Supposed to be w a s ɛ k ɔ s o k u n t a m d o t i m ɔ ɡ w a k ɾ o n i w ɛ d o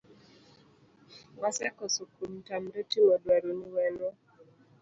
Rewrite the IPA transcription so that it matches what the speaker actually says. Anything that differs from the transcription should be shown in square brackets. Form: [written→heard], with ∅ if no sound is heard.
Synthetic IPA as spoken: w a s ɛ k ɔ s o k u [n→m] t a m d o t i m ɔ [ɡ→d] w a [k→∅] ɾ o n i w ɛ [d→n] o